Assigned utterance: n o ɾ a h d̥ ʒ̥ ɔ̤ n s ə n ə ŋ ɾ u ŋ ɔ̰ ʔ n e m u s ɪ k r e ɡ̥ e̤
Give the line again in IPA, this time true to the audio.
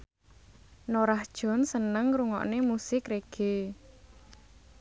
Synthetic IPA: n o ɾ a h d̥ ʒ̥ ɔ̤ n s ə n ə ŋ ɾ u ŋ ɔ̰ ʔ n e m u s ɪ k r e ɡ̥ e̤